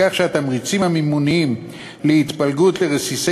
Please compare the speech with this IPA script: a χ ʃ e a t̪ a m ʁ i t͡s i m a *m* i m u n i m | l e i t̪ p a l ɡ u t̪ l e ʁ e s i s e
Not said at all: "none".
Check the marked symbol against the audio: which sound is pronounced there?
m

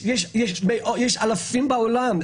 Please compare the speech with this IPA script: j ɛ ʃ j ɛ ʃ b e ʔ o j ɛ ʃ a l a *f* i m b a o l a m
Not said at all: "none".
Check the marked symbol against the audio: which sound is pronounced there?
f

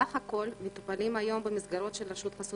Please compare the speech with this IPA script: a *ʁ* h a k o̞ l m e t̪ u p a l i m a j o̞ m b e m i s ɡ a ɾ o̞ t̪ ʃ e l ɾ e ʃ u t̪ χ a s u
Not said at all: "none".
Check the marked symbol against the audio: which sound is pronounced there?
χ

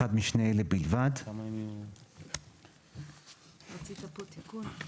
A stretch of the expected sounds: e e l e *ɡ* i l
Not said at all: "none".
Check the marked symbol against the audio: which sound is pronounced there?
b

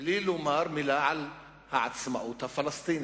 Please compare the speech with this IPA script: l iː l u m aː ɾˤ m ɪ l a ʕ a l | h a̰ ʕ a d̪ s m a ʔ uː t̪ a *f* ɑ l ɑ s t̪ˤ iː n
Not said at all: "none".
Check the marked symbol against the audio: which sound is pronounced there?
f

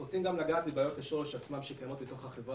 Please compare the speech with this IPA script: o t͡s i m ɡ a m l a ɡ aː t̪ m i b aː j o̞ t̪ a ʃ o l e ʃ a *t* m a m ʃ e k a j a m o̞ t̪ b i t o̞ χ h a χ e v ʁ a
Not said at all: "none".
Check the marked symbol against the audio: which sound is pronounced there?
t͡s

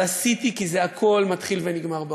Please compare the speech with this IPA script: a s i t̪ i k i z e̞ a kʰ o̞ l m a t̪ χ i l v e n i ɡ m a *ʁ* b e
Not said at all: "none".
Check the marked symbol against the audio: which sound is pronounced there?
ʁ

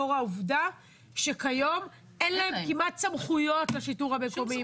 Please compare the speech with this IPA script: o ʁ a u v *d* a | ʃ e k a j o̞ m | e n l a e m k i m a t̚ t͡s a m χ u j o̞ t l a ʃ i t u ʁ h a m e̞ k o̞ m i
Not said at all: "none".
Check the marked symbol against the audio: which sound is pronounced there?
d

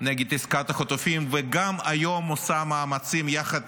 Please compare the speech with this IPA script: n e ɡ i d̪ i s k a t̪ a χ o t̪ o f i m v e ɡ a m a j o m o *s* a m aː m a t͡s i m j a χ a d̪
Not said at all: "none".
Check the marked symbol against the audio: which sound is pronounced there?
s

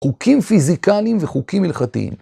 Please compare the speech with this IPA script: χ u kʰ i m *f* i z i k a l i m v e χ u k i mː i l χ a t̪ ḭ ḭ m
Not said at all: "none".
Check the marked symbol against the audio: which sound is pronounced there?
f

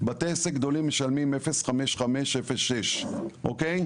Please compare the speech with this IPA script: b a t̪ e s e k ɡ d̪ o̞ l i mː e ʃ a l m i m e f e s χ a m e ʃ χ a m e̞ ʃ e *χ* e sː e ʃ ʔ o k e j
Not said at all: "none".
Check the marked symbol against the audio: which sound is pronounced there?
f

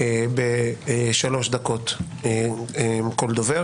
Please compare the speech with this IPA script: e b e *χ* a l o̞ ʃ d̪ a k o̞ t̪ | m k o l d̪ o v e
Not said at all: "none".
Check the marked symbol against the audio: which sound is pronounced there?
ʃ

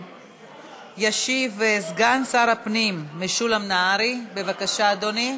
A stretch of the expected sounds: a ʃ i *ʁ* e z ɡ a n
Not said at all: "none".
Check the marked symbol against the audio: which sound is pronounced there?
v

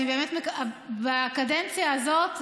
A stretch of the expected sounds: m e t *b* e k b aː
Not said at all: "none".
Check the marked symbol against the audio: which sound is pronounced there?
m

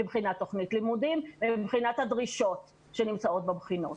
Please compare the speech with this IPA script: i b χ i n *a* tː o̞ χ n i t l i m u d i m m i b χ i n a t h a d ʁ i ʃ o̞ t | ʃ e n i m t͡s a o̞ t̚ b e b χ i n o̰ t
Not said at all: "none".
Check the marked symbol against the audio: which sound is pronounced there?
a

